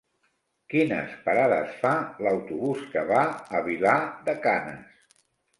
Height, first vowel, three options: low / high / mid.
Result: high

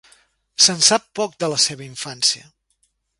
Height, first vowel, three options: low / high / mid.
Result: mid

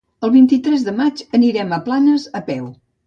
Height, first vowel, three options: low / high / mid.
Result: mid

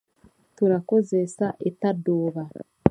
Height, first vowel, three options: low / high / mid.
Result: high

